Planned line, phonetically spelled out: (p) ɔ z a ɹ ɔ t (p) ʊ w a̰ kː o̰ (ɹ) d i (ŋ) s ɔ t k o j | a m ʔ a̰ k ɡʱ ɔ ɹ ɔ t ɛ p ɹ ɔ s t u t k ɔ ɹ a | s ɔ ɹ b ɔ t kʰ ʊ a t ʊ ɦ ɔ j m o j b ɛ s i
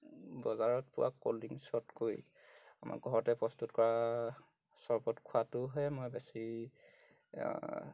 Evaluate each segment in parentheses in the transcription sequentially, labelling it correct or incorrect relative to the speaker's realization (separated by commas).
incorrect, correct, incorrect, correct